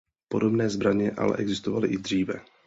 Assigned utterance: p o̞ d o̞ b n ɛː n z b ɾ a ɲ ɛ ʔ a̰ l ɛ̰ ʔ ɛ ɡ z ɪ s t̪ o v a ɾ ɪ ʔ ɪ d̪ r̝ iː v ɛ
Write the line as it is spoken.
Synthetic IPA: p o̞ d o̞ b n ɛː z b ɾ a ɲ ɛ ʔ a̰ l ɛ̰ ʔ ɛ ɡ z ɪ s t̪ o v a l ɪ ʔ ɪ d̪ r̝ iː v ɛ